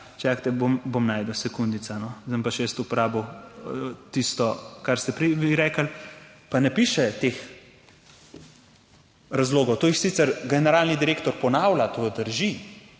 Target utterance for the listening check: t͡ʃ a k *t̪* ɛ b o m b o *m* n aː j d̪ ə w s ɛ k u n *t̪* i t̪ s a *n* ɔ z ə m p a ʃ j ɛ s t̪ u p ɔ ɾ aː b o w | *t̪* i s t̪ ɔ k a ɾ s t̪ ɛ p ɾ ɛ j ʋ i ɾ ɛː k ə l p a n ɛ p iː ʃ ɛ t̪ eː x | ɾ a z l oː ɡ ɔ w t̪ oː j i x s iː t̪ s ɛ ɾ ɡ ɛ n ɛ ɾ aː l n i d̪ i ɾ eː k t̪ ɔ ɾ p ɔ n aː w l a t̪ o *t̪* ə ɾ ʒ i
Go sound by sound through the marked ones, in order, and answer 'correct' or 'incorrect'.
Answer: correct, correct, incorrect: d̪, correct, correct, incorrect: d̪

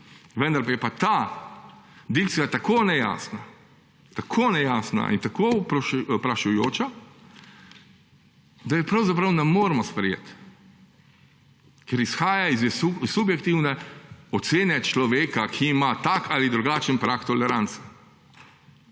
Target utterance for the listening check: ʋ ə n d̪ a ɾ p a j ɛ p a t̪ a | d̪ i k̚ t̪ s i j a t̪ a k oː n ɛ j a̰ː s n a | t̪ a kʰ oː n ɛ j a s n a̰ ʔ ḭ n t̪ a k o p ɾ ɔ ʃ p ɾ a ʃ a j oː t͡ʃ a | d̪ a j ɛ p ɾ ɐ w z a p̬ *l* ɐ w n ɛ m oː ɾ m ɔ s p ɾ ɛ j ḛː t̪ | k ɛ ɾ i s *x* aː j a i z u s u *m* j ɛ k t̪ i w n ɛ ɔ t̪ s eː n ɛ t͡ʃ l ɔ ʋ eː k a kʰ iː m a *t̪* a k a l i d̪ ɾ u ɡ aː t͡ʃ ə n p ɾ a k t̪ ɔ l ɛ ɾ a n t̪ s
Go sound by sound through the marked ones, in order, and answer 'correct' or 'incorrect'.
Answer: incorrect: ɾ, correct, incorrect: b, correct

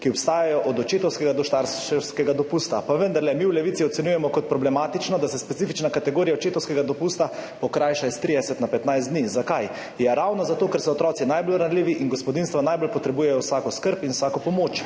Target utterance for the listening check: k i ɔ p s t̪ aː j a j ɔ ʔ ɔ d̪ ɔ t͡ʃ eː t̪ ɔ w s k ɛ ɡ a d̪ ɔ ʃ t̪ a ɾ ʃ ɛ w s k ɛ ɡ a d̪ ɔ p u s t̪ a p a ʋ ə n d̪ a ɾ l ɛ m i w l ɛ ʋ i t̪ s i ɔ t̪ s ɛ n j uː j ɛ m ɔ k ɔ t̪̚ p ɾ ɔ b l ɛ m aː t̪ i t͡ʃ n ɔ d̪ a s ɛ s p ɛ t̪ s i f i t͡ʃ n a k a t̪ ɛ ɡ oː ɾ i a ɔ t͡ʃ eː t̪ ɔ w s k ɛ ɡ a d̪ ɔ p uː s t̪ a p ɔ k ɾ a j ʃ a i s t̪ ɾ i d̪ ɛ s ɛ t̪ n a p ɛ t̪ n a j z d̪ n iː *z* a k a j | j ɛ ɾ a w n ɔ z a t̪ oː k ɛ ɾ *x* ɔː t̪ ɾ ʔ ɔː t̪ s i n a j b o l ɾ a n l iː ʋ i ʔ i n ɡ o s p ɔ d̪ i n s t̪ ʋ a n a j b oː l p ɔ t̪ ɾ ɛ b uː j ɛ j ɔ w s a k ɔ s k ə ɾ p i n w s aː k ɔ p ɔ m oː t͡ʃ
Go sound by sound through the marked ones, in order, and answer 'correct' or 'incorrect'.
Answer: correct, incorrect: s

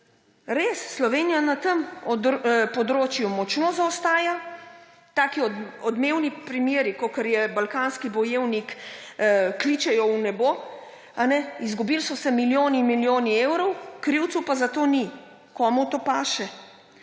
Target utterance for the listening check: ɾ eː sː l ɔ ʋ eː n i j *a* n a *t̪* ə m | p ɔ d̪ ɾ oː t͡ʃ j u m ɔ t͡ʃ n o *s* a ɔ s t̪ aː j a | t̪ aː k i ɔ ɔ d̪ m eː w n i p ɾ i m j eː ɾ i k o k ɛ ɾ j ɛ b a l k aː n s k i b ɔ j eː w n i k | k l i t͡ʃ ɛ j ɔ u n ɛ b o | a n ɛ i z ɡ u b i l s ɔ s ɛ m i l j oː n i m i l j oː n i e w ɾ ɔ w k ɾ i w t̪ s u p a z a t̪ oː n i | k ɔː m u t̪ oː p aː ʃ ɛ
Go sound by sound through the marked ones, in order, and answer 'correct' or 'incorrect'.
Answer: correct, correct, incorrect: z

